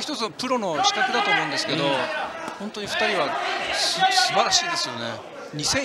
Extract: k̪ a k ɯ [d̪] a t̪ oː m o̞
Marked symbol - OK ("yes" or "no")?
yes